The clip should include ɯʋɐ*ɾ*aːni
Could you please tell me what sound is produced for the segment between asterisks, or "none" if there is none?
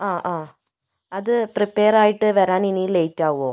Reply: ɾ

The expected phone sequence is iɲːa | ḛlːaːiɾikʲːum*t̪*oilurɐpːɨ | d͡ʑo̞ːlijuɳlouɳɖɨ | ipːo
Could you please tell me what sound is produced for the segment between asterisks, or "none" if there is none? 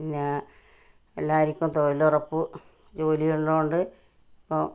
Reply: t̪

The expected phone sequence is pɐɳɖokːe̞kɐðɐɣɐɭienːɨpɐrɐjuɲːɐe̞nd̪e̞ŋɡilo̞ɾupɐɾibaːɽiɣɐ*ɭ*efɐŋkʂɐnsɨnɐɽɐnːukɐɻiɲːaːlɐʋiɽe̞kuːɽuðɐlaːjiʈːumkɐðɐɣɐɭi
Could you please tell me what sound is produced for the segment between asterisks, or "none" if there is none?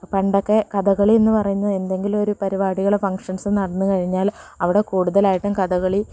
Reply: ɭ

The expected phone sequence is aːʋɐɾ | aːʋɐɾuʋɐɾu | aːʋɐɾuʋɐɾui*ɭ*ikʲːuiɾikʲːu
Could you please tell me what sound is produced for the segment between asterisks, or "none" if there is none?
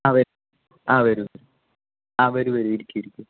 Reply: ɾ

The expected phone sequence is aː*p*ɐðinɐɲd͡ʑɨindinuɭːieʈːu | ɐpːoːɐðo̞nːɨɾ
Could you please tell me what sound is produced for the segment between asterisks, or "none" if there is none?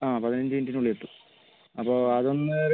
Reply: p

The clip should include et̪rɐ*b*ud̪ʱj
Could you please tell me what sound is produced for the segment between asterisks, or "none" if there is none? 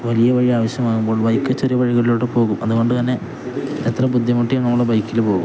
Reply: b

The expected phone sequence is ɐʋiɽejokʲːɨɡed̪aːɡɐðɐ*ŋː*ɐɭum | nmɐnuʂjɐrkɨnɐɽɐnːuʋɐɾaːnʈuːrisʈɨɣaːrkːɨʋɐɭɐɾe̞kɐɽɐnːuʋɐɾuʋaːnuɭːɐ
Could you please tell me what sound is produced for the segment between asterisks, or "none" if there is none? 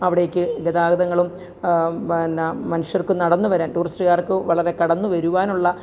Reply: ŋː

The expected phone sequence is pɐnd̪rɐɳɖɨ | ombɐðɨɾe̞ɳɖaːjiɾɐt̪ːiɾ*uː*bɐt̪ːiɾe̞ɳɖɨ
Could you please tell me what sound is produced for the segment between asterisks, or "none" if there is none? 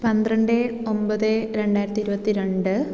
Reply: u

